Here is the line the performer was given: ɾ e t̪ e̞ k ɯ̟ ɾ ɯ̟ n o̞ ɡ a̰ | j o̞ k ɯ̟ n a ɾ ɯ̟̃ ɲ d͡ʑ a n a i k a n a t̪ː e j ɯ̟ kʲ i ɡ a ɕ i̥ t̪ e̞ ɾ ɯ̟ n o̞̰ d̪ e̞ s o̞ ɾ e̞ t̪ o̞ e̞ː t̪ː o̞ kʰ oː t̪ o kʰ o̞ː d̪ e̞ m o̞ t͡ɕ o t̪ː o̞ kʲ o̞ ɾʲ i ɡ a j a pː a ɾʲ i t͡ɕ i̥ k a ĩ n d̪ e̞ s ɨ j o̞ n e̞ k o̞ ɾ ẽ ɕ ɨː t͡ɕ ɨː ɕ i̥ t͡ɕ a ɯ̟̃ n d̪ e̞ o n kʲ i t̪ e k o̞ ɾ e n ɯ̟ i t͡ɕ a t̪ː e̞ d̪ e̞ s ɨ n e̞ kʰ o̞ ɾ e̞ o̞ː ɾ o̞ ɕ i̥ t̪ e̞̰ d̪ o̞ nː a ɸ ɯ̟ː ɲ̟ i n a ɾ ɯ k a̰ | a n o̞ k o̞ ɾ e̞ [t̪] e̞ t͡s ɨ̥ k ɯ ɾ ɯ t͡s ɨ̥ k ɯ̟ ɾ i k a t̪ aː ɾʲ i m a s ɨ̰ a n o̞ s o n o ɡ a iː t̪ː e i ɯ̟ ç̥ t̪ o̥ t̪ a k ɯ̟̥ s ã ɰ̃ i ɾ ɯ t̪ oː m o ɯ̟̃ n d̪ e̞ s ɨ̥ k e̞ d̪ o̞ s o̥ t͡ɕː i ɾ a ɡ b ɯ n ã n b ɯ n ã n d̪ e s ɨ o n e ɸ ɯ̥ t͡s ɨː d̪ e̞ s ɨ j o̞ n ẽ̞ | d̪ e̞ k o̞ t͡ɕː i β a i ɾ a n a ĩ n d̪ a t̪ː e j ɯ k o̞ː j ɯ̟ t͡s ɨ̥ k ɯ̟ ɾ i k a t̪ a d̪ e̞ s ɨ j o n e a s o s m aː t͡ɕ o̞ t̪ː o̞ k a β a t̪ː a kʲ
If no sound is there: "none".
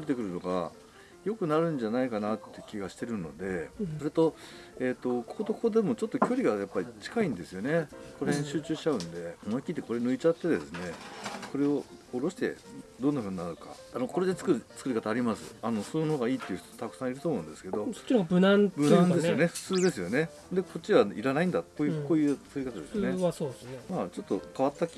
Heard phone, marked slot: d̪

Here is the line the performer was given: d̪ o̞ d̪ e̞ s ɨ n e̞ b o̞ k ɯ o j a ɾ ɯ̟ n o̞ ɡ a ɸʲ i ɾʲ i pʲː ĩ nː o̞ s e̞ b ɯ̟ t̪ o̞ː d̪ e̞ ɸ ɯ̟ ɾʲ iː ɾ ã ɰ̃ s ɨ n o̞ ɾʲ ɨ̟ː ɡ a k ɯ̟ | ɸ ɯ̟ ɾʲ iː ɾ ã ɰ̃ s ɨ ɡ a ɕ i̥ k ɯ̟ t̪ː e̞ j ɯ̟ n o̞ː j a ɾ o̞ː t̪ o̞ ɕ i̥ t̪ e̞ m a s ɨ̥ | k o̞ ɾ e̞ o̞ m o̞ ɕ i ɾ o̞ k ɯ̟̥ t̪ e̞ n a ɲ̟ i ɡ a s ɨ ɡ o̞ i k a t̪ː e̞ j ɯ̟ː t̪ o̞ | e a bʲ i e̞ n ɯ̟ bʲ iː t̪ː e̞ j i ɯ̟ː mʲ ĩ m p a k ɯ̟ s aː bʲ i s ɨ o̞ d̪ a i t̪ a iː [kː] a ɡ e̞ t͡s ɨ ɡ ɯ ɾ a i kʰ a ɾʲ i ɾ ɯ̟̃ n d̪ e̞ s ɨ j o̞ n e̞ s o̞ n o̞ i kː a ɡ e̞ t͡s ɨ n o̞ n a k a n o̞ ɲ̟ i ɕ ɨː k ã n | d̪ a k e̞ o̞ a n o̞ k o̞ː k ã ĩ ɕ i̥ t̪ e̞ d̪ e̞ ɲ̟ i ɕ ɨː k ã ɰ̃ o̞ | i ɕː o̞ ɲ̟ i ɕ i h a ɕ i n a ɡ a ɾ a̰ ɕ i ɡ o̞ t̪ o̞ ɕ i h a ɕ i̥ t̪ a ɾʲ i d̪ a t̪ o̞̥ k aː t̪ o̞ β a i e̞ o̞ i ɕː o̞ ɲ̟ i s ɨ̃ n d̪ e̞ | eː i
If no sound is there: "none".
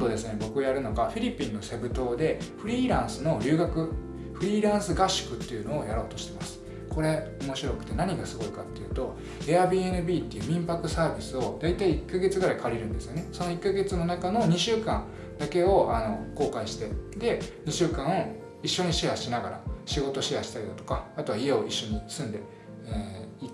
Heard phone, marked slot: kː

